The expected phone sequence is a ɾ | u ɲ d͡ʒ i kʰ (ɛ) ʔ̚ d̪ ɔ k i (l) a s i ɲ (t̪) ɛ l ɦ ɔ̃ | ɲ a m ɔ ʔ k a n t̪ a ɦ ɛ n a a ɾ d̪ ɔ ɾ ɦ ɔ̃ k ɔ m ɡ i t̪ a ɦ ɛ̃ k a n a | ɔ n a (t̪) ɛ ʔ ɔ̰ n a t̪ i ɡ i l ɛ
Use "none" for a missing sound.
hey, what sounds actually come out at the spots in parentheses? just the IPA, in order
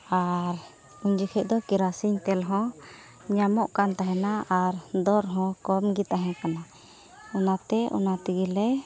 ɛ, ɾ, t̪, t̪

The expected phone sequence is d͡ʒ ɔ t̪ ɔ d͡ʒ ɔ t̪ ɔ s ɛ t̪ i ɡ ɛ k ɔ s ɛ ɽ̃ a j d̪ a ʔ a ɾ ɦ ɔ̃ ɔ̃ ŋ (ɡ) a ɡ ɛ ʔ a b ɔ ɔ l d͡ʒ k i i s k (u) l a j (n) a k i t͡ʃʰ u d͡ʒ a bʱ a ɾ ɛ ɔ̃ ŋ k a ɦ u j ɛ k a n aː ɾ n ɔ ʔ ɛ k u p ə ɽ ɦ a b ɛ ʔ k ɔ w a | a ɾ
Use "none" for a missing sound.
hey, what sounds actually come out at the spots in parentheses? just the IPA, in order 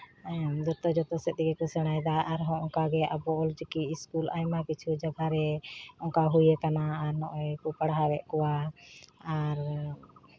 k, u, m

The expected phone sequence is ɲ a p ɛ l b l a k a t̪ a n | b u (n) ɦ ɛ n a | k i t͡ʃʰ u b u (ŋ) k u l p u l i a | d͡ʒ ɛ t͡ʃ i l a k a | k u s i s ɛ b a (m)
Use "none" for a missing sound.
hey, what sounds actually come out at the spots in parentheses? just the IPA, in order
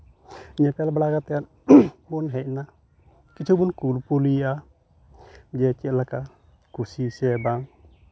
n, n, ŋ

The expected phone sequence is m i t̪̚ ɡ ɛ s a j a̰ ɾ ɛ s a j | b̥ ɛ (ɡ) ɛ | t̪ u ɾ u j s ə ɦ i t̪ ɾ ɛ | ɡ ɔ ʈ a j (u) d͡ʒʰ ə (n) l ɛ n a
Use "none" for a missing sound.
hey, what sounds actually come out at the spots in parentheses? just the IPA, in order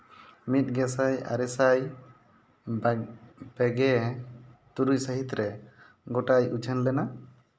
ɡ, u, n

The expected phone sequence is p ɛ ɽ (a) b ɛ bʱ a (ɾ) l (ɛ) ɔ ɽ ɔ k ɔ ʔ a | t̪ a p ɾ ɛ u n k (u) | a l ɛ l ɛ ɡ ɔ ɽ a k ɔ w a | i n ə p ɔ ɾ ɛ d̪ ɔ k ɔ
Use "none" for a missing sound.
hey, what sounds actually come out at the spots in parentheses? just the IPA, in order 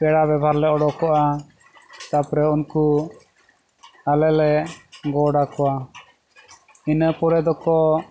a, ɾ, ɛ, u

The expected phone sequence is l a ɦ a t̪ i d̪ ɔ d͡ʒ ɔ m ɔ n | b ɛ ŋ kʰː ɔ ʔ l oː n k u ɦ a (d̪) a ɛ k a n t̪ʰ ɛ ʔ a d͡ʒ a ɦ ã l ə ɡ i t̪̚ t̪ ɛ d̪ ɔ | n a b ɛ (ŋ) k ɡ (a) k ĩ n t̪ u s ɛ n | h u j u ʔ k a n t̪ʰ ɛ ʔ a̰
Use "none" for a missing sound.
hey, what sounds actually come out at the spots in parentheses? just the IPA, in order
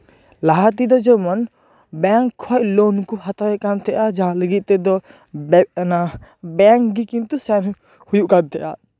t̪, ŋ, i

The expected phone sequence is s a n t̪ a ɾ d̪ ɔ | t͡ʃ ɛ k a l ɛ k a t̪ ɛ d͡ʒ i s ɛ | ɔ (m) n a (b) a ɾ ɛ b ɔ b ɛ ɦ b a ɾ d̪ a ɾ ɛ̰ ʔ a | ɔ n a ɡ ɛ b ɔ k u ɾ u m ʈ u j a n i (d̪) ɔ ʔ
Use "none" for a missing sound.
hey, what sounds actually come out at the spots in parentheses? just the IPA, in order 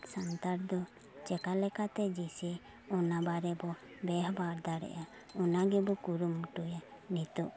none, b, t̪

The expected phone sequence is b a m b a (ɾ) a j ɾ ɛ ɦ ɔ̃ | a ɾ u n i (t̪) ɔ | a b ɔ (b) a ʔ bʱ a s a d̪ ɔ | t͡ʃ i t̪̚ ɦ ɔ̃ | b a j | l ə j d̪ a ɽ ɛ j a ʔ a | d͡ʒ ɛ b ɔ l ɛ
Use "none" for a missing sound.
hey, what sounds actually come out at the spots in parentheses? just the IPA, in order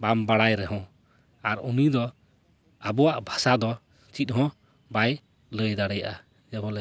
ɽ, d̪, w

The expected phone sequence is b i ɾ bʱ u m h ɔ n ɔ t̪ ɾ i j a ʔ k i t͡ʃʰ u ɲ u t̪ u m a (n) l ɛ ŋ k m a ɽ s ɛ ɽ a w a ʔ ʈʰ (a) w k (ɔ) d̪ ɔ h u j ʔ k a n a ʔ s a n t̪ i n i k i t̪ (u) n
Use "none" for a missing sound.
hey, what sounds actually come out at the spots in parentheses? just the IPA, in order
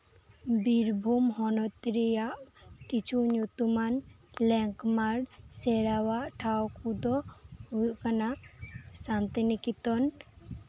n, a, u, ɔ

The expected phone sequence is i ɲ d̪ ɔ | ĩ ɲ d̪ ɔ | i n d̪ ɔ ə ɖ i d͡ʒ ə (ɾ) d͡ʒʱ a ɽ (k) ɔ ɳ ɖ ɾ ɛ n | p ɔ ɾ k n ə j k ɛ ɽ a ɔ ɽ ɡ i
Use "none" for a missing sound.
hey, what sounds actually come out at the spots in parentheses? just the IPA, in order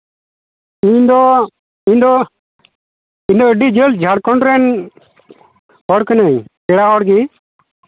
l, k

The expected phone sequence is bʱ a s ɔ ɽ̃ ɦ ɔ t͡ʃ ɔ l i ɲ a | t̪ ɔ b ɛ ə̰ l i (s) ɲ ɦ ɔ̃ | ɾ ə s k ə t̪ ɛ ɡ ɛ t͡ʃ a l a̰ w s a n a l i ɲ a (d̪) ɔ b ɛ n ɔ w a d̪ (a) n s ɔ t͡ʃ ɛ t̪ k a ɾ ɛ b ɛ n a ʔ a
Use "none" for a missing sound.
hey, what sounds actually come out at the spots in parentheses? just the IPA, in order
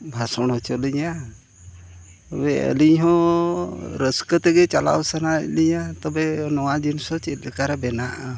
none, t̪, i

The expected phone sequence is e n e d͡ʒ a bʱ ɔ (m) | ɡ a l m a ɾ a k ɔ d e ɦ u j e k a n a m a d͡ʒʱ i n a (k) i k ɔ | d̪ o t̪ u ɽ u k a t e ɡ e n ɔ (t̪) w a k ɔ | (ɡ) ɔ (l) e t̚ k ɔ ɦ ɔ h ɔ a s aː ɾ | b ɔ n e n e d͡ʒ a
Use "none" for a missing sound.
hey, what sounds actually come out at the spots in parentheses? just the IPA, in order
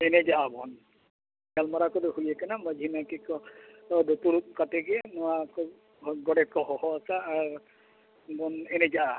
n, k, none, ɡ, ɽ

